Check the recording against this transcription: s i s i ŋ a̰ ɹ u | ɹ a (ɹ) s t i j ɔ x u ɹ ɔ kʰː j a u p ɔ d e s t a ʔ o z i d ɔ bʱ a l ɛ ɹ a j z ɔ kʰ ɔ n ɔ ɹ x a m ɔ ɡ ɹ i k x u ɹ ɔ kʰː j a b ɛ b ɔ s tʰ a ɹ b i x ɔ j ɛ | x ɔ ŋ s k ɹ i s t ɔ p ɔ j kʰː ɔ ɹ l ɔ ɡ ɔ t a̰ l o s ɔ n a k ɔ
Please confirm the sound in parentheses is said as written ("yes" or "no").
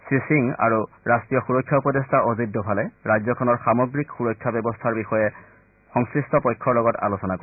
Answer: no